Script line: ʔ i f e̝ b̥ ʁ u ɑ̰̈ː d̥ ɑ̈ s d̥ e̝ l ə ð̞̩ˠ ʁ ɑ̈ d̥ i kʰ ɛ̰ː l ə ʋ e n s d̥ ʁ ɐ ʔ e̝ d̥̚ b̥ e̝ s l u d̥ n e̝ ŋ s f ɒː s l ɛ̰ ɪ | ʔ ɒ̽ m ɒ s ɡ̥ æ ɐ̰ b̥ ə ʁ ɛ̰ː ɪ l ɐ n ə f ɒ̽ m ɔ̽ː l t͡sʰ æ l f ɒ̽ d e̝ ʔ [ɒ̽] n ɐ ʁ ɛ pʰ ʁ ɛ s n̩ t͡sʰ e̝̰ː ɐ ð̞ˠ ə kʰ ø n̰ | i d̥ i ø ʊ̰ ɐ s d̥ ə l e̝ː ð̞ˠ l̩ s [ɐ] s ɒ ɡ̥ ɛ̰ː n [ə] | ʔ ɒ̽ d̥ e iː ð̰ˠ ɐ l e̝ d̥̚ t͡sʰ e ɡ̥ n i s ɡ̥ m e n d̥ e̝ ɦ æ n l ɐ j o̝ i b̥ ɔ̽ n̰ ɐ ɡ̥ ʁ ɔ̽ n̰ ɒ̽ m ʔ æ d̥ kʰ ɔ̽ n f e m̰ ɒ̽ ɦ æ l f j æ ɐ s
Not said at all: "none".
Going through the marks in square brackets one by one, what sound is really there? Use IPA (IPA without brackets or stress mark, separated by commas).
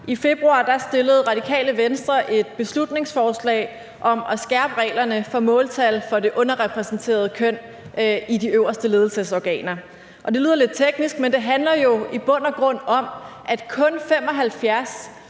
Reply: ɔ̽, ə, ɐ